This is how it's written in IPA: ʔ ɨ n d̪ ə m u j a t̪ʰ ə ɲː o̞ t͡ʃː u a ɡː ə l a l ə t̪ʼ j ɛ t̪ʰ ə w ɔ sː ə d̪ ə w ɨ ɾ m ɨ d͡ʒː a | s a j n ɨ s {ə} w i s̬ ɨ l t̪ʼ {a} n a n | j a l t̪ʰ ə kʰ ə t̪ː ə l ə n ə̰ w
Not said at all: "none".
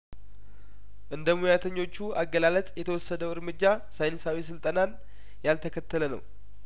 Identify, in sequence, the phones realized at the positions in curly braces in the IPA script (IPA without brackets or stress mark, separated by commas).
a, ə